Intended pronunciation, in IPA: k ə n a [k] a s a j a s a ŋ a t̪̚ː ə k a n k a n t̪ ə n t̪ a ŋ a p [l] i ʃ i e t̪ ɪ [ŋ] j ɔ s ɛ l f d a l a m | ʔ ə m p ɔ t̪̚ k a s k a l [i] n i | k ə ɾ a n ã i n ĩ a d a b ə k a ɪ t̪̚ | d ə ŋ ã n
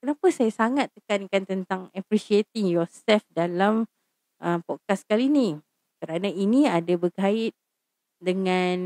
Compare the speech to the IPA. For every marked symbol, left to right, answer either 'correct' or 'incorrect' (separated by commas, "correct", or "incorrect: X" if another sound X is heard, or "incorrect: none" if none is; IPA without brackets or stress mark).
incorrect: p, incorrect: ɾ, correct, correct